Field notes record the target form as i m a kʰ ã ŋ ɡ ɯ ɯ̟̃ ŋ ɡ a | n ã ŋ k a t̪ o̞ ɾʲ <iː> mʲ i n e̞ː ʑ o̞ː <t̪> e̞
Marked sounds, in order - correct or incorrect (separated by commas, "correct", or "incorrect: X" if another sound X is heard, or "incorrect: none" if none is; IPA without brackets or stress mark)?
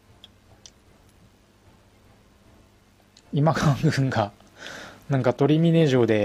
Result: incorrect: i, incorrect: d̪